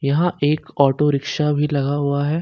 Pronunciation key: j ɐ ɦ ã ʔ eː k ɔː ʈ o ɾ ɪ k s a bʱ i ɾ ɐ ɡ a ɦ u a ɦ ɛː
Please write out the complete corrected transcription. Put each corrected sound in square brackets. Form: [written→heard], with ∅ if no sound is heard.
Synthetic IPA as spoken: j ɐ ɦ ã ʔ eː k ɔː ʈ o ɾ ɪ k [s→ʃ] a bʱ i [ɾ→l] ɐ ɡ a ɦ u a ɦ ɛː